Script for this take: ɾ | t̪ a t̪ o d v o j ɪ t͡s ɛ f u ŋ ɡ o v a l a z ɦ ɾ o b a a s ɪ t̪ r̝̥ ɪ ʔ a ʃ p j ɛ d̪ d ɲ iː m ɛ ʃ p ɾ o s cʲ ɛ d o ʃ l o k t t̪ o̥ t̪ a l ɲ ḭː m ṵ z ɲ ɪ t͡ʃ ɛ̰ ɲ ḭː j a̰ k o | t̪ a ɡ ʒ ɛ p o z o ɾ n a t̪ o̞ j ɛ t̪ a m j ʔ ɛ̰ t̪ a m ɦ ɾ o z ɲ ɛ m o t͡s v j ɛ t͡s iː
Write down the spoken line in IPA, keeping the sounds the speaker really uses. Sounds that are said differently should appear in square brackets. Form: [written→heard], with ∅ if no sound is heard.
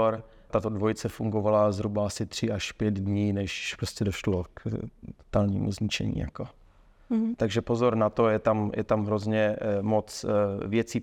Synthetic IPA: ɾ | t̪ a t̪ o d v o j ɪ t͡s ɛ f u ŋ ɡ o v a l a z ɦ ɾ [o→u] b a a s ɪ t̪ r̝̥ ɪ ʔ a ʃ p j ɛ d̪ d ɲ iː [m→n] ɛ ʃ p ɾ o s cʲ ɛ d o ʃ l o k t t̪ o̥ t̪ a l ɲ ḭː m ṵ z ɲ ɪ t͡ʃ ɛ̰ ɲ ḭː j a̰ k o | t̪ a ɡ ʒ ɛ p o z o ɾ n a t̪ o̞ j ɛ t̪ a m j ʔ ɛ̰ t̪ a m ɦ ɾ o z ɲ ɛ m o t͡s v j ɛ t͡s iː